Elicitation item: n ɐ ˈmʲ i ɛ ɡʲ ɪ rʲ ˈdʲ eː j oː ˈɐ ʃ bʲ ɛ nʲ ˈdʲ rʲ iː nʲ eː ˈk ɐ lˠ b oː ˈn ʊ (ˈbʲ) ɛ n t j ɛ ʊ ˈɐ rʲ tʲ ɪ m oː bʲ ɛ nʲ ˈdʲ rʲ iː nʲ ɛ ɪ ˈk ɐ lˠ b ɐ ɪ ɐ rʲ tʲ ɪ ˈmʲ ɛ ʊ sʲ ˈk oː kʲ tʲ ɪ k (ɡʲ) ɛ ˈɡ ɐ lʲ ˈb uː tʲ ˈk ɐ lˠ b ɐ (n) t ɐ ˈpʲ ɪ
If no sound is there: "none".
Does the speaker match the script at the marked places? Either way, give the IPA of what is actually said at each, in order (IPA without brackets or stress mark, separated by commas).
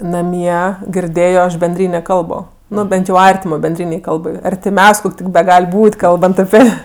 bʲ, bʲ, n